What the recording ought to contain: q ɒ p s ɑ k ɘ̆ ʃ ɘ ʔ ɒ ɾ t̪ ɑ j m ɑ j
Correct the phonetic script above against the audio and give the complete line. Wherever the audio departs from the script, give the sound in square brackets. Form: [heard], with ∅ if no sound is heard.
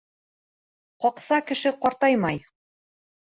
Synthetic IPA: q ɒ [q] s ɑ k ɘ̆ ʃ ɘ [q] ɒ ɾ t̪ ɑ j m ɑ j